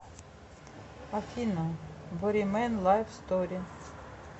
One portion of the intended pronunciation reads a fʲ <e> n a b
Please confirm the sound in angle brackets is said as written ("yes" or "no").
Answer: no